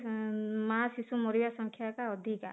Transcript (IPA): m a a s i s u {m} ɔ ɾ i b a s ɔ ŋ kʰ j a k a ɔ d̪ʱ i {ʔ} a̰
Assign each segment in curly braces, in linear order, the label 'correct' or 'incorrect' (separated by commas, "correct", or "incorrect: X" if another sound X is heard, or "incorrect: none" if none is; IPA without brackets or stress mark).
correct, incorrect: k